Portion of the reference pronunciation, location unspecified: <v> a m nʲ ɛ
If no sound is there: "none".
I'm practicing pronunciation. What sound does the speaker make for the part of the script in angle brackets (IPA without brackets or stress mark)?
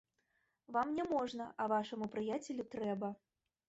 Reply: v